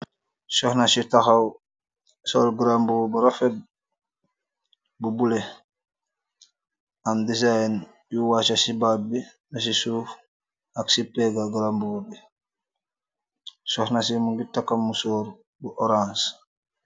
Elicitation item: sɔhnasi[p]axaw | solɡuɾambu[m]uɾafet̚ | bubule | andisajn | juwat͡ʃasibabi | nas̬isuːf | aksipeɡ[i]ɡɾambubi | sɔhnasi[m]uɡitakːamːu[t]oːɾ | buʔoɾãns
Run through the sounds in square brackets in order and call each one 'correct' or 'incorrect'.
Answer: incorrect, incorrect, incorrect, correct, incorrect

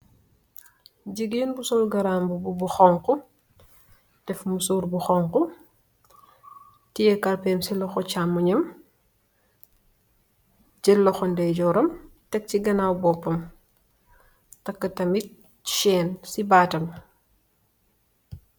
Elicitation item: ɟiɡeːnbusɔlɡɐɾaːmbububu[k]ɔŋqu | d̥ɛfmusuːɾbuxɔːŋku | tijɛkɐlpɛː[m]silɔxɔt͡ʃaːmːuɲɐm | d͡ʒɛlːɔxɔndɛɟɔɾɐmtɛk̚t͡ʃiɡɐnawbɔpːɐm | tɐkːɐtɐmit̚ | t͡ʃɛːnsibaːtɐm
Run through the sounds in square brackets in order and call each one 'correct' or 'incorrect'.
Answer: incorrect, correct

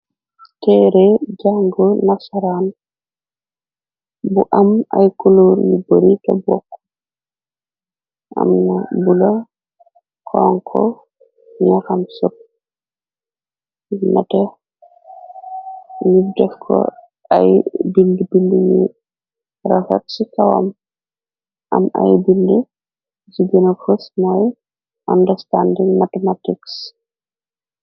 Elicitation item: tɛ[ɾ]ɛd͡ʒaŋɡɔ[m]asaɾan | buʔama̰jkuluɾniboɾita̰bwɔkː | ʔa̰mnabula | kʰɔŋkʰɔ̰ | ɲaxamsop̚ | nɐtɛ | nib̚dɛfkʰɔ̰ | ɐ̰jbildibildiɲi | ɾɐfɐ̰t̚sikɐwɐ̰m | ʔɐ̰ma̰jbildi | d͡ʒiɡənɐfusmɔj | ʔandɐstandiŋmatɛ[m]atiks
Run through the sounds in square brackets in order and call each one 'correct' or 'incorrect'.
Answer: correct, incorrect, correct

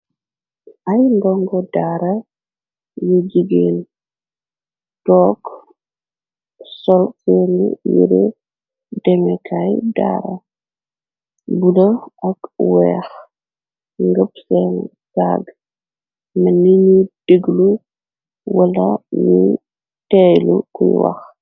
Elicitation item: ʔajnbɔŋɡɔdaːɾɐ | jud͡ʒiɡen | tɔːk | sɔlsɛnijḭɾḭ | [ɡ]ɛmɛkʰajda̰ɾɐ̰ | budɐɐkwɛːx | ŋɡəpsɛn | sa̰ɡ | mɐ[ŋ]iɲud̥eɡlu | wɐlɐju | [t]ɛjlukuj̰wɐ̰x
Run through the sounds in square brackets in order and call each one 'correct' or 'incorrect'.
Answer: incorrect, incorrect, correct

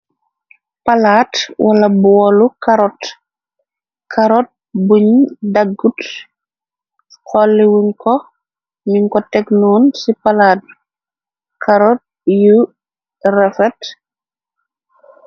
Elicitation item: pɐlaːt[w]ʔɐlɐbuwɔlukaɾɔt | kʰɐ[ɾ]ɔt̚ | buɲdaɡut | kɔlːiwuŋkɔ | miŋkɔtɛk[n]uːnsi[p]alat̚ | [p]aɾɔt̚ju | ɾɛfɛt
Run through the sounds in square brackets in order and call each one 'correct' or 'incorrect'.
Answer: correct, correct, correct, correct, incorrect

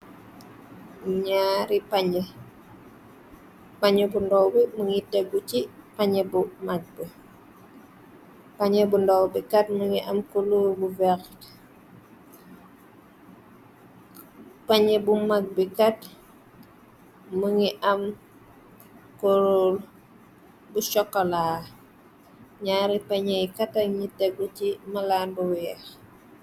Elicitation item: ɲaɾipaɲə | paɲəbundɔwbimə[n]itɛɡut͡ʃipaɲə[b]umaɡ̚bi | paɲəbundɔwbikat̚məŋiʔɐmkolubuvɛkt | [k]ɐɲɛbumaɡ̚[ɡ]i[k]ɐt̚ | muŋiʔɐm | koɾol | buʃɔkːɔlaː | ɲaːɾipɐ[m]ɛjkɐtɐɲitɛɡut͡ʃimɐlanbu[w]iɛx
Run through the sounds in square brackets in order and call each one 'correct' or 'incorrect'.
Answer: incorrect, correct, incorrect, incorrect, correct, incorrect, correct

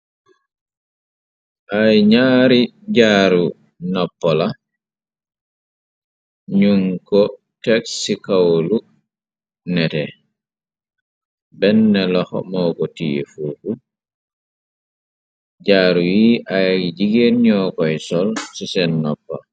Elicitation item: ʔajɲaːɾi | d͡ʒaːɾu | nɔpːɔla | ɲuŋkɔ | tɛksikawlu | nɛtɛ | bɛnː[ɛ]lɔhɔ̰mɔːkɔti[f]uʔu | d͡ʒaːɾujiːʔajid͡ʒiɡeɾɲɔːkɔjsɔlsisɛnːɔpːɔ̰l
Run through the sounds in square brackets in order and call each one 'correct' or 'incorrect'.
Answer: correct, correct

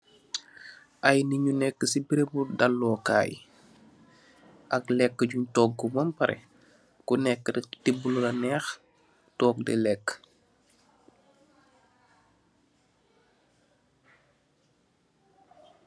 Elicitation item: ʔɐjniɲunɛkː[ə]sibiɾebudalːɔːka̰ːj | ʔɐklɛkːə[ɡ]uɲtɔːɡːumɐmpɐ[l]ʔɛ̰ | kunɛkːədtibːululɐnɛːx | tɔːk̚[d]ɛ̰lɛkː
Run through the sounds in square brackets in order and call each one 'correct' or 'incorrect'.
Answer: correct, incorrect, incorrect, correct

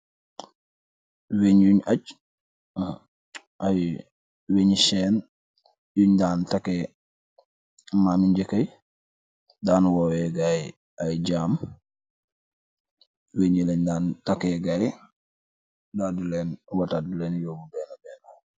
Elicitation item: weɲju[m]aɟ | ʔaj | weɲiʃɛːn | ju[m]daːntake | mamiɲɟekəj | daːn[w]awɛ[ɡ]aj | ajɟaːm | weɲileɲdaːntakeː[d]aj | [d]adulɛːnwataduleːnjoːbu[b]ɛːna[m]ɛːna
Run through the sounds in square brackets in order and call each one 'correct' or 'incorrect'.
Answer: incorrect, incorrect, correct, correct, incorrect, correct, correct, incorrect

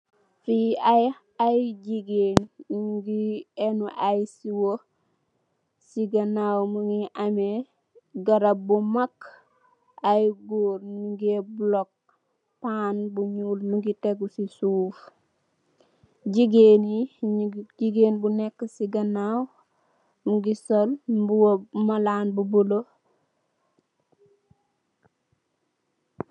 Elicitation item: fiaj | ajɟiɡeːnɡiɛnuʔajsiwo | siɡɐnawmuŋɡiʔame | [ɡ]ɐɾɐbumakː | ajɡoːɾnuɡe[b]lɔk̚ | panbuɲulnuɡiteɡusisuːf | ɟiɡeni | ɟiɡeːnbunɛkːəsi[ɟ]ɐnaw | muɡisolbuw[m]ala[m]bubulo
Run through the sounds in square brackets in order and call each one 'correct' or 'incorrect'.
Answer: correct, correct, incorrect, correct, incorrect

